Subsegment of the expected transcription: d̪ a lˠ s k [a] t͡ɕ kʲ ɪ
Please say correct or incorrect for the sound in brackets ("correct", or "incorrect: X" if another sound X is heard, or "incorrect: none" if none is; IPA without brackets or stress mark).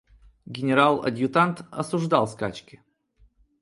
correct